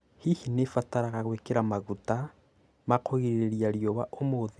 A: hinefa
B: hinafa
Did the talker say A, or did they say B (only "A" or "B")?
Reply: A